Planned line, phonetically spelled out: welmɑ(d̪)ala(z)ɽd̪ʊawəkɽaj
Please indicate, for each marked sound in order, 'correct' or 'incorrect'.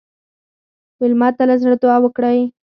incorrect: t̪, correct

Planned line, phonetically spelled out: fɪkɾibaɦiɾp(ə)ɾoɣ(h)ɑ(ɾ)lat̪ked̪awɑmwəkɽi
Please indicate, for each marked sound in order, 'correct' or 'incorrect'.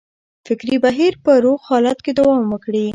correct, correct, incorrect: none

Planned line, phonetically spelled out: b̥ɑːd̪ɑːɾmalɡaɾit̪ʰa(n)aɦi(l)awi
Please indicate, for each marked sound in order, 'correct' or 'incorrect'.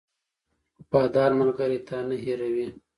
correct, incorrect: ɾ

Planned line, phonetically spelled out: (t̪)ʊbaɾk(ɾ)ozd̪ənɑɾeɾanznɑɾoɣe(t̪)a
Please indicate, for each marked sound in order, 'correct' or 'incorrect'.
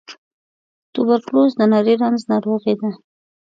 correct, incorrect: l, incorrect: d̪

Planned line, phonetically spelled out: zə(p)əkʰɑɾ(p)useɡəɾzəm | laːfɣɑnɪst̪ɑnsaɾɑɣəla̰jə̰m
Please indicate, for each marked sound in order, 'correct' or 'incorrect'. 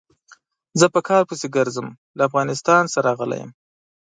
correct, correct

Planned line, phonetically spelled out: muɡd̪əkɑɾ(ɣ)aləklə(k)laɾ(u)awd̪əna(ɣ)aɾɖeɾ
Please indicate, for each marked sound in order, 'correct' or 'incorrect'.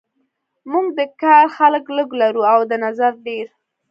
incorrect: x, incorrect: ɡ, correct, incorrect: z

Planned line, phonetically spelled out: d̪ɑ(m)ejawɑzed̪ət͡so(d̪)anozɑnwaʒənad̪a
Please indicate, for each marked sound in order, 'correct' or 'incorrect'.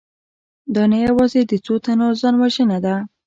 incorrect: n, incorrect: t̪

